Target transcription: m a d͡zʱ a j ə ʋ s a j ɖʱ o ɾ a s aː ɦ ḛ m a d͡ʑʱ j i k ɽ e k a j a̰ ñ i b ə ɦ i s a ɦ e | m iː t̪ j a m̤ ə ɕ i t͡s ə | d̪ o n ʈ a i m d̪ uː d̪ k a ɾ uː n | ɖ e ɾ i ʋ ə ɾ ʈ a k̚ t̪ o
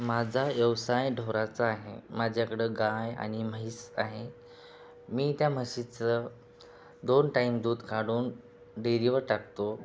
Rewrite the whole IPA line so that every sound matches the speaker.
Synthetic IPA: m a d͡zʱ a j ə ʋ s a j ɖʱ o ɾ a t͡s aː ɦ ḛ m a d͡ʑʱ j a k ɽ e ɡ a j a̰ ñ i m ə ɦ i s a ɦ e | m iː t̪ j a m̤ ə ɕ i t͡s ə | d̪ o n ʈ a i m d̪ uː d̪ k a ɽ uː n | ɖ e ɾ i ʋ ə ɾ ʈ a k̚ t̪ o

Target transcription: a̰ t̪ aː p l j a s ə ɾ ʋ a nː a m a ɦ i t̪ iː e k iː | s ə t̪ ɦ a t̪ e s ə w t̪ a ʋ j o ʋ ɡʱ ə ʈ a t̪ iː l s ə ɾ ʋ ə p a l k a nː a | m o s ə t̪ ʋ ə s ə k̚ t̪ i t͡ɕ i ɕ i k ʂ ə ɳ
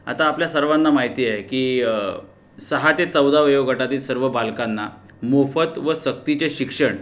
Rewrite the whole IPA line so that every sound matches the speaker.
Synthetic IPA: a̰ t̪ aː p l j a s ə ɾ ʋ a nː a m a ɦ i t̪ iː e k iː | s ə ɦ a t̪ e t͡s ə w d̪ a ʋ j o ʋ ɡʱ ə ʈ a t̪ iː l s ə ɾ ʋ ə b a l k a nː a | m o f ə t̪ ʋ ə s ə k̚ t̪ i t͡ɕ e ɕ i k ʂ ə ɳ

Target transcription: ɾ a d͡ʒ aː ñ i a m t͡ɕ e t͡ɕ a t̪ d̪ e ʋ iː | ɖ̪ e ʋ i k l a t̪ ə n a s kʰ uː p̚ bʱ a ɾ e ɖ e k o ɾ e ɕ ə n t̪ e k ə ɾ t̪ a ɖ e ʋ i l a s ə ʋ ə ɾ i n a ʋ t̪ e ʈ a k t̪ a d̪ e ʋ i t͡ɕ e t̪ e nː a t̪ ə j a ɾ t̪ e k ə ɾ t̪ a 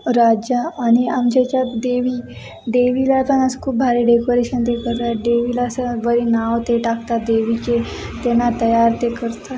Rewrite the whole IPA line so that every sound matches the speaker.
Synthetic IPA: ɾ a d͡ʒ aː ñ i a m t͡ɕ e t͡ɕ a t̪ d̪ e ʋ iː | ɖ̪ e ʋ i l a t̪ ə n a s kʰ uː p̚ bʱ a ɾ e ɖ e k o ɾ e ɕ ə n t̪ e k ə ɾ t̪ a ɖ e ʋ i l a s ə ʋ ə ɾ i n a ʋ t̪ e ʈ a k t̪ a d̪ e ʋ i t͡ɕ e t̪ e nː a t̪ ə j a ɾ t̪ e k ə ɾ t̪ a

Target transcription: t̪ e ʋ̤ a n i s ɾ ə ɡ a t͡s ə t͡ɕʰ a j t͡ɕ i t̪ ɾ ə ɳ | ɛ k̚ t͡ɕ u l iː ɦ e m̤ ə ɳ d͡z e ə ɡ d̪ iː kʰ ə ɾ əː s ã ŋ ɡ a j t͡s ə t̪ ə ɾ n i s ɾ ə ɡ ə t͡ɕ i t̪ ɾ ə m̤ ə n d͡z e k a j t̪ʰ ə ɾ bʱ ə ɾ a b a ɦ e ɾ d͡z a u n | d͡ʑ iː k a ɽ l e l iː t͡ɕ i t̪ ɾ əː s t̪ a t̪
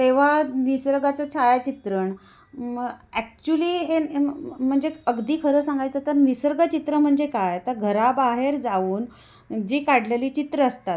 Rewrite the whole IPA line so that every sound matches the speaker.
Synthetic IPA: t̪ e ʋ̤ a n i s ɾ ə ɡ a t͡s ə t͡ɕʰ a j t͡ɕ i t̪ ɾ ə ɳ | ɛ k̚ t͡ɕ u l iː ɦ e m̤ ə ɳ d͡z e ə ɡ d̪ iː kʰ ə ɾ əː s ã ŋ ɡ a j t͡s ə t̪ ə ɾ n i s ɾ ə ɡ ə t͡ɕ i t̪ ɾ ə m̤ ə ɳ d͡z e k a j t̪ ə ɾ ɡʱ ə ɾ a b a ɦ e ɾ d͡z a uː n | d͡ʑ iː k a ɽ l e l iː t͡ɕ i t̪ ɾ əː s t̪ a t̪

